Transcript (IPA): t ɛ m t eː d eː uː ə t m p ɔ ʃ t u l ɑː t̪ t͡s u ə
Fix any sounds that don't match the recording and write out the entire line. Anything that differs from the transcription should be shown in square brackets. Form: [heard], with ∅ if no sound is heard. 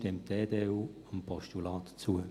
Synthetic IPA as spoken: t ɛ m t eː d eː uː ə [∅] m p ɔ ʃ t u l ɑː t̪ t͡s u ə